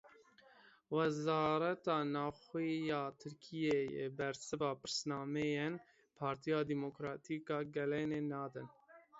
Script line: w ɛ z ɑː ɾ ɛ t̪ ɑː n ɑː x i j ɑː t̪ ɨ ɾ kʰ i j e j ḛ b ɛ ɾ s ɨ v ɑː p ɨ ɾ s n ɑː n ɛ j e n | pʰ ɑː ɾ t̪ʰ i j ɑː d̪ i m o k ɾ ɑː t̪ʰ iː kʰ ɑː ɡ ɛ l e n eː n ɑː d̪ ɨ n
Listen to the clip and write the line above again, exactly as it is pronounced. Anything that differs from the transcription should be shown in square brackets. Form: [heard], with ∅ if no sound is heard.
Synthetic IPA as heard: w ɛ z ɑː ɾ ɛ t̪ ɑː n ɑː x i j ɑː [t̪ʰ] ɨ ɾ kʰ i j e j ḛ b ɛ ɾ s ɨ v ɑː p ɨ ɾ s n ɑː [m] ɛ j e n | pʰ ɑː ɾ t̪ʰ i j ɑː d̪ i m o k ɾ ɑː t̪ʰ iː [k] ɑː ɡ ɛ l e n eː n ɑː d̪ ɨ n